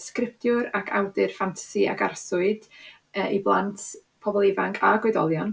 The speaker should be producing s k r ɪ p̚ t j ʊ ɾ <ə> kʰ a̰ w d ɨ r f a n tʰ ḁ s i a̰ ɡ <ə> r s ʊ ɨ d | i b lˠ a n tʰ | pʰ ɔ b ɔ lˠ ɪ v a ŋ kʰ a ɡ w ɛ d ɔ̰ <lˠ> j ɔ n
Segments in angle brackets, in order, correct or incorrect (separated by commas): incorrect, incorrect, correct